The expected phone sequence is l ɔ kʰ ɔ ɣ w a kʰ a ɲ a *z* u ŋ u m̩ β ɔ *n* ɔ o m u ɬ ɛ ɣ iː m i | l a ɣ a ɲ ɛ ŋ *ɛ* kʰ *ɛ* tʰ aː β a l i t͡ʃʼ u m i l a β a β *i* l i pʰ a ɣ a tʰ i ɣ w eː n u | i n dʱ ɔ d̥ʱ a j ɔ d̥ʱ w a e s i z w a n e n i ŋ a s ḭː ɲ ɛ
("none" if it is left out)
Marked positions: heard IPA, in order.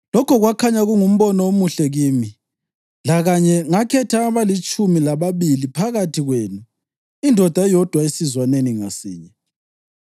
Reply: ɣ, n, a, ɛ, i

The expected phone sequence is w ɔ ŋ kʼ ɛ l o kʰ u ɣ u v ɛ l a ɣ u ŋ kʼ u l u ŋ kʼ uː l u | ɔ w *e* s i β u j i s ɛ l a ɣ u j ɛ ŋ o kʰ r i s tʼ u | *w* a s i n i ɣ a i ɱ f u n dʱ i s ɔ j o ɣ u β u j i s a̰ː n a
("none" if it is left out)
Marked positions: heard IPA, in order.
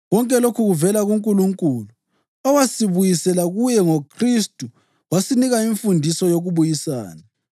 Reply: a, w

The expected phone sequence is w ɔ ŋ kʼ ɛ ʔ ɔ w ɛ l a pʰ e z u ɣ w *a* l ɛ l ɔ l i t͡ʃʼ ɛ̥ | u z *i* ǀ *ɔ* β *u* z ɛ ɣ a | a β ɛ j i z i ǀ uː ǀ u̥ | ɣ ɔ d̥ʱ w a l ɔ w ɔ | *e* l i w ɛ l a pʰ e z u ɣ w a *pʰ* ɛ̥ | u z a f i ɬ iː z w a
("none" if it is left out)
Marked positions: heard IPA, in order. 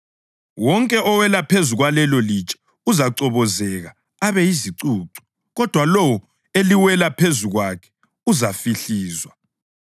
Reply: a, a, ɔ, ɔ, e, kʰ

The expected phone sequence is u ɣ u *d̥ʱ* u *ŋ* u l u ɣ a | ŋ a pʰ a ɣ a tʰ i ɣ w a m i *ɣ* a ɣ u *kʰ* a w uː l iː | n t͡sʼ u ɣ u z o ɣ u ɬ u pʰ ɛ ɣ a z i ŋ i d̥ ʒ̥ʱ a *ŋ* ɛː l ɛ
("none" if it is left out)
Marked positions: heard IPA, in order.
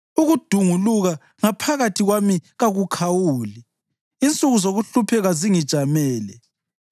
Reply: d̥ʱ, ŋ, ɣ, kʰ, m

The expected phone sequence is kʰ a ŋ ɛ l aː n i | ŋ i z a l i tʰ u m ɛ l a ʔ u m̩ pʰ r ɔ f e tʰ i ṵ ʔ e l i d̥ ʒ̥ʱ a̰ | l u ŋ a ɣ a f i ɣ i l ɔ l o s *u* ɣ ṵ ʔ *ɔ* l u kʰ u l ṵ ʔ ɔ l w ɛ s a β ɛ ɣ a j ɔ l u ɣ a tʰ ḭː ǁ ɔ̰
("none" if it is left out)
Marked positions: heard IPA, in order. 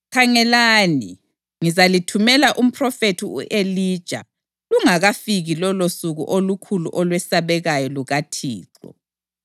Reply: u, o

